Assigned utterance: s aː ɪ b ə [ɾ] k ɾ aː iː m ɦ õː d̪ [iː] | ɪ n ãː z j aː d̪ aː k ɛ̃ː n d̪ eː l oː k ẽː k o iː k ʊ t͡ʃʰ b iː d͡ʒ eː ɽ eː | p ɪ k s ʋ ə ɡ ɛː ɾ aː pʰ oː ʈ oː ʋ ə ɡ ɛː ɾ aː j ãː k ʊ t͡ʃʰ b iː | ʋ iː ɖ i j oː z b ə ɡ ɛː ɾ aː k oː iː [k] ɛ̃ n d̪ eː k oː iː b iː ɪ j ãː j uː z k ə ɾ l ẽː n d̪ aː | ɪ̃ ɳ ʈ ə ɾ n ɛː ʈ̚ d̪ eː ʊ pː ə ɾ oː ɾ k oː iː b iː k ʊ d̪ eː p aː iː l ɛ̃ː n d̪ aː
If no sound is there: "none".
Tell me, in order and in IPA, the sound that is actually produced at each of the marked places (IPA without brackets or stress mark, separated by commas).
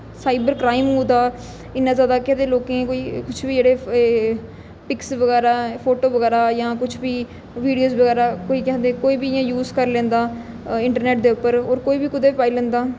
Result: ɾ, aː, k